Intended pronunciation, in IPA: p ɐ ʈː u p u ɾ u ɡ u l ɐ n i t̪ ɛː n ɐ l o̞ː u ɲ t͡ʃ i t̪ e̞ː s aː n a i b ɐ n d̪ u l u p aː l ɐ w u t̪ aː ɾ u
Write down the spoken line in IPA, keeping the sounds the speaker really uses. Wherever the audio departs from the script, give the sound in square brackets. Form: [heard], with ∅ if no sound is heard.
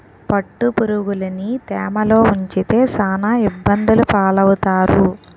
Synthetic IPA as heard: p ɐ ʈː u p u ɾ u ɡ u l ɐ n i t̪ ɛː [m] ɐ l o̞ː u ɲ t͡ʃ i t̪ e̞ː s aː n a i [bː] ɐ n d̪ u l u p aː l ɐ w u t̪ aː ɾ u